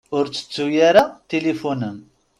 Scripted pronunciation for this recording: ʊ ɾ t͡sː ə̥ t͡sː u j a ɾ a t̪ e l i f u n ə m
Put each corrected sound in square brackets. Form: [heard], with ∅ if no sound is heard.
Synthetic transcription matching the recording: ʊ ɾ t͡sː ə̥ t͡sː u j a ɾ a t̪ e l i f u n ə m